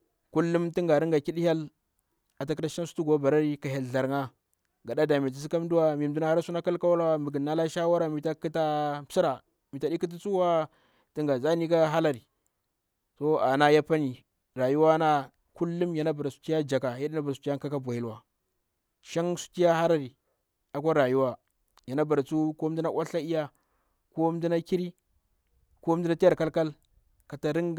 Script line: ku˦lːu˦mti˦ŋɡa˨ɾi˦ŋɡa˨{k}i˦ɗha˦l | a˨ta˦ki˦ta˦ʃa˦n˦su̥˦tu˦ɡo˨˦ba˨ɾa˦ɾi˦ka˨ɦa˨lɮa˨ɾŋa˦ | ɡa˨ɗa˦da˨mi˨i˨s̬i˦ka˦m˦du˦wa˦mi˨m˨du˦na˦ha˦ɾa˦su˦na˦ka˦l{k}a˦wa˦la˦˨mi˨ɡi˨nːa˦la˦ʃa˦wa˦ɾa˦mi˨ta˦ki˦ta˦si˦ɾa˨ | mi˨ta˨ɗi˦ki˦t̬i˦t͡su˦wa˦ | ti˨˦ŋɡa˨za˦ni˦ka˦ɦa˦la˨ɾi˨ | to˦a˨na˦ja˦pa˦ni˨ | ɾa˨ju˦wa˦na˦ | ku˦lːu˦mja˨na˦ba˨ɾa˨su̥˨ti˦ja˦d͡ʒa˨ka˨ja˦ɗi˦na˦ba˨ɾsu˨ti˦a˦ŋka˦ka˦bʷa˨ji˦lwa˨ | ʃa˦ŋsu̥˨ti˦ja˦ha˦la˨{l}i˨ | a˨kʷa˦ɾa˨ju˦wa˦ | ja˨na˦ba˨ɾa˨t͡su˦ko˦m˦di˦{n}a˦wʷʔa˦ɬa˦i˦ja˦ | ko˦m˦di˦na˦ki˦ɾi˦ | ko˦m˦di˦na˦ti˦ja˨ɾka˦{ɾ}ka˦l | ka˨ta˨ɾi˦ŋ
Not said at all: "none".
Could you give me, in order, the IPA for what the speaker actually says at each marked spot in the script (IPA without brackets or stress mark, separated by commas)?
k, k, ɾ, n, l